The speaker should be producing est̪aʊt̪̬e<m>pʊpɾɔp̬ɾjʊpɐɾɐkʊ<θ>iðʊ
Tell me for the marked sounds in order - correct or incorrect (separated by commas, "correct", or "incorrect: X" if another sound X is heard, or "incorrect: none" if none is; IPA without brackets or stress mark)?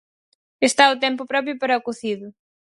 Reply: correct, correct